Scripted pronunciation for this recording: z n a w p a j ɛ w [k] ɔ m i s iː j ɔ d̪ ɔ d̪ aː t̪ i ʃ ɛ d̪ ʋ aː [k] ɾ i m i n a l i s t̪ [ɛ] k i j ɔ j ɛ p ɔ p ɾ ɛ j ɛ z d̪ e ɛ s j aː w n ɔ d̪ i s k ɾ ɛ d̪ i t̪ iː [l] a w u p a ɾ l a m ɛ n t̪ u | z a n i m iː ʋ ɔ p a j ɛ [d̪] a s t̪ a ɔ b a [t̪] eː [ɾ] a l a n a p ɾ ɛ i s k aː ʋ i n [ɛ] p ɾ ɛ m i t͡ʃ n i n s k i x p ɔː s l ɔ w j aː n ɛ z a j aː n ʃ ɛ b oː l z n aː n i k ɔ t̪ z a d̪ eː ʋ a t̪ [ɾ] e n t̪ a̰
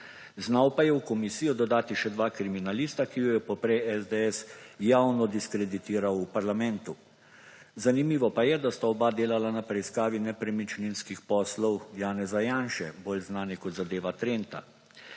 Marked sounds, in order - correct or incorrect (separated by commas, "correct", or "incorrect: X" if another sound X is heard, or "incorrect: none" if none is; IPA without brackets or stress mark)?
correct, correct, incorrect: a, incorrect: ɾ, correct, incorrect: d̪, incorrect: l, correct, correct